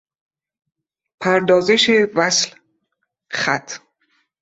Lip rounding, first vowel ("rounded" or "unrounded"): unrounded